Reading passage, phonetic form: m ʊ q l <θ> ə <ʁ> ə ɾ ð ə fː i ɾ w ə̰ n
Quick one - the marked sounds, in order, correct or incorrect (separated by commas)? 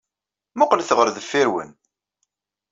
correct, correct